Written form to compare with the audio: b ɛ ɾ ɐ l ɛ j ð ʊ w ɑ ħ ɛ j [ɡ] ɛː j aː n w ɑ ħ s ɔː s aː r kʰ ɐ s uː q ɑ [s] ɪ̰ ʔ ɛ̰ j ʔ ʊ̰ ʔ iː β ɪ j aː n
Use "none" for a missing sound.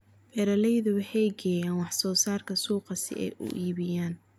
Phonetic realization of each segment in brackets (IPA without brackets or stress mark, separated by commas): ɡ, s